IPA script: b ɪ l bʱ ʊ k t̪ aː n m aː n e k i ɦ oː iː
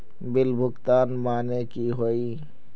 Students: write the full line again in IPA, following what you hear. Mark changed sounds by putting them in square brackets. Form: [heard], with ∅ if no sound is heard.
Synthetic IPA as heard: b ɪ l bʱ ʊ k t̪ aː n m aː n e k i ɦ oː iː